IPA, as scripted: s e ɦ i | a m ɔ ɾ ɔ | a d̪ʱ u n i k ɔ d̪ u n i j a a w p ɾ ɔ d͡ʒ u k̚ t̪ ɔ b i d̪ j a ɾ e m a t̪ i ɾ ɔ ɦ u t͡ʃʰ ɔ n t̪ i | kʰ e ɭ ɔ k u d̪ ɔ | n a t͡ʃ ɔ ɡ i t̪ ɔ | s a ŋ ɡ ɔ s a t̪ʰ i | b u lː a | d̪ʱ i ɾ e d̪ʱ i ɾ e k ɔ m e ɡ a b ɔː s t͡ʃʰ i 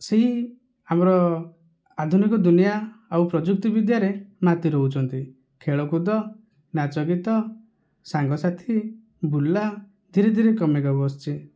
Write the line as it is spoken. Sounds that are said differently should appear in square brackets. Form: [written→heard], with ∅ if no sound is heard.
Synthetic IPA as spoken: s e ɦ i | a m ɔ ɾ ɔ | a d̪ʱ u n i k ɔ d̪ u n i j a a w p ɾ ɔ d͡ʒ u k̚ t̪ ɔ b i d̪ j a ɾ e m a t̪ i ɾ ɔ ɦ u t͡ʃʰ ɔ n t̪ i | kʰ e ɭ ɔ k u d̪ ɔ | n a t͡ʃ ɔ ɡ i t̪ ɔ | s a ŋ ɡ ɔ s a t̪ʰ i | b u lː a | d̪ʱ i ɾ e d̪ʱ i ɾ e k ɔ m e ɡ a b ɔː s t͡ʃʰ i